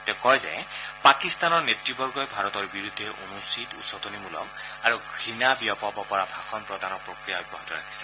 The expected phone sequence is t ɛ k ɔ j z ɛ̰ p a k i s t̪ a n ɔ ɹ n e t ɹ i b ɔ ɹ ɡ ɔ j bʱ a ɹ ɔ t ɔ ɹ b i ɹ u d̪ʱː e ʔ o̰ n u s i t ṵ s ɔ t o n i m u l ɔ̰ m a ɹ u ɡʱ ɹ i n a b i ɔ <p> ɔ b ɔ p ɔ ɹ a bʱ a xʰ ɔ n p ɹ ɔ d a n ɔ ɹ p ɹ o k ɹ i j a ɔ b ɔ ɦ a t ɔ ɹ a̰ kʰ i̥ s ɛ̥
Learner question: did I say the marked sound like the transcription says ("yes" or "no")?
yes